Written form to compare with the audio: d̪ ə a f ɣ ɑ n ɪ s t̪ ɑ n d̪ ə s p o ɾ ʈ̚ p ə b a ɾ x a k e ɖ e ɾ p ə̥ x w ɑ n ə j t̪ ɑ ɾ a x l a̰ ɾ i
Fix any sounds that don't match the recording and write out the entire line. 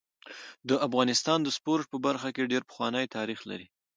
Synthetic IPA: d̪ ə a f ɣ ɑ n ɪ s t̪ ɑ n d̪ ə s p o ɾ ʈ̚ p ə b a ɾ x a k e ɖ e ɾ p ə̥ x w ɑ n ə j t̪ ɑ ɾ i x l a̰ ɾ i